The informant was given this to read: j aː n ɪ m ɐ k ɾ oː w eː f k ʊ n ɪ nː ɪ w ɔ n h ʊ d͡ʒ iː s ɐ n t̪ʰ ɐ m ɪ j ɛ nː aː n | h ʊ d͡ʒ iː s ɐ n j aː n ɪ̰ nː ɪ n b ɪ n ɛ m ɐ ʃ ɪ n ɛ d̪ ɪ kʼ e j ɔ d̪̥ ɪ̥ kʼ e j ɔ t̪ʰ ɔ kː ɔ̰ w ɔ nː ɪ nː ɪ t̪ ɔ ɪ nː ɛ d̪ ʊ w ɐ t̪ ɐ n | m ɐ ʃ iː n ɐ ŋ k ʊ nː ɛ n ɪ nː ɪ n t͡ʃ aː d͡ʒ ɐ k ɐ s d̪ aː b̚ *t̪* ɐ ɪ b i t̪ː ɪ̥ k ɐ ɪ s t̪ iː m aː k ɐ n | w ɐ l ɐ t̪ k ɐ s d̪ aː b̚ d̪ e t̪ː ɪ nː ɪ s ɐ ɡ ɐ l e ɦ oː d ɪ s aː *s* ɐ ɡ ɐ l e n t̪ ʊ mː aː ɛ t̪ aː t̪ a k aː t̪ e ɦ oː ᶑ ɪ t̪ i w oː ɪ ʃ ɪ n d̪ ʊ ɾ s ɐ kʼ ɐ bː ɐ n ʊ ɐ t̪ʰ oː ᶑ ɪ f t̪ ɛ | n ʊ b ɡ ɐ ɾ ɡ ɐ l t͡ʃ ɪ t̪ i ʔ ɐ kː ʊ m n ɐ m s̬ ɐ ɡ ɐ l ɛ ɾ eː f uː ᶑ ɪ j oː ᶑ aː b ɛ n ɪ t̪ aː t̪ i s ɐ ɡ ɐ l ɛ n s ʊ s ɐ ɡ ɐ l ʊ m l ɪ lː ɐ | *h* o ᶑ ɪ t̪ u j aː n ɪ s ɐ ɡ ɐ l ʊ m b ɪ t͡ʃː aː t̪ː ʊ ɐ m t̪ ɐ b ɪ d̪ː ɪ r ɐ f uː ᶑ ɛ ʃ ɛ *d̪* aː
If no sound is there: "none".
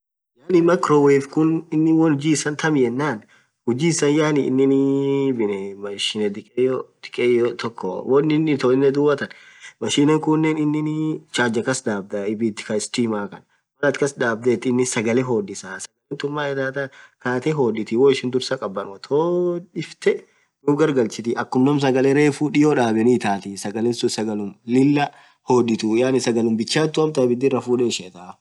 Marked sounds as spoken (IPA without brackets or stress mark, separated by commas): d̪, s, h, t̪